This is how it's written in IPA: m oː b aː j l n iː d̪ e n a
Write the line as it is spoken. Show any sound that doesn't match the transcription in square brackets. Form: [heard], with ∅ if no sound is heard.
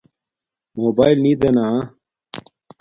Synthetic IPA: m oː b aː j l n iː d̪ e n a